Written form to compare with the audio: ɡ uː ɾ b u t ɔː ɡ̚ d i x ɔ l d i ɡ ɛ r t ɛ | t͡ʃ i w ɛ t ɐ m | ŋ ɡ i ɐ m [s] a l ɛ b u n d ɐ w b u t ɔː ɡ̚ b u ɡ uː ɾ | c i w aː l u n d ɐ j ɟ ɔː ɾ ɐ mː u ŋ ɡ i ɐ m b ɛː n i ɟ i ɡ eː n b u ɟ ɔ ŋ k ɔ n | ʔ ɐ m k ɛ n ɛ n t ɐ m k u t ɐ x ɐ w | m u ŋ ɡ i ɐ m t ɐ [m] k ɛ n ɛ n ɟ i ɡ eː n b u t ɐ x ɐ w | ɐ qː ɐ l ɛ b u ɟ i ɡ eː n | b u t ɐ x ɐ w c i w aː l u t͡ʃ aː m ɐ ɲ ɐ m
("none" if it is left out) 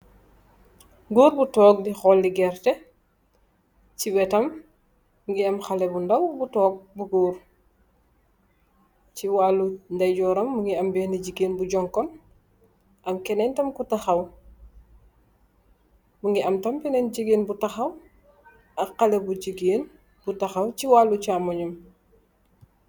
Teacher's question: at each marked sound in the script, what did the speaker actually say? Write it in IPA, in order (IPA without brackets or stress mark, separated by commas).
x, m